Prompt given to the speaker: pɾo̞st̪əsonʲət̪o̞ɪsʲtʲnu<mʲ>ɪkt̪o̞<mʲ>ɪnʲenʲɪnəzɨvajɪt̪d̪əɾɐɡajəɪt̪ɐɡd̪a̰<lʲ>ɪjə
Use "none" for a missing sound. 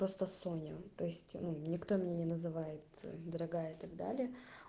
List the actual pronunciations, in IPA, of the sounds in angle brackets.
nʲ, mʲ, lʲ

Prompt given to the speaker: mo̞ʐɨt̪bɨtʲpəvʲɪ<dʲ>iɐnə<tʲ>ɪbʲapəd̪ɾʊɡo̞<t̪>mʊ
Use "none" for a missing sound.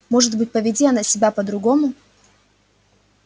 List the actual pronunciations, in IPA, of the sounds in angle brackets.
dʲ, sʲ, none

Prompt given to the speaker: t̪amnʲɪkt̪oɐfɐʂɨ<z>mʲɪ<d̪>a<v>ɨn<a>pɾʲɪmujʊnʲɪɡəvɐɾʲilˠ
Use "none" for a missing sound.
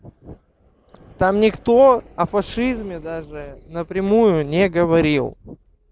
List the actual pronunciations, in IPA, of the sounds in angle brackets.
z, d̪, ʐ, ə

